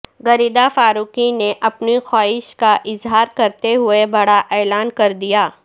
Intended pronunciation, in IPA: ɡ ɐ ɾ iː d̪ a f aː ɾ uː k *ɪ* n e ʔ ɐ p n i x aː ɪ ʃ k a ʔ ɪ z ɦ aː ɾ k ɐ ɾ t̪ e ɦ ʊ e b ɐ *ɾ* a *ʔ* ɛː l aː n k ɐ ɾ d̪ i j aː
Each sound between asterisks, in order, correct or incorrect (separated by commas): incorrect, incorrect, correct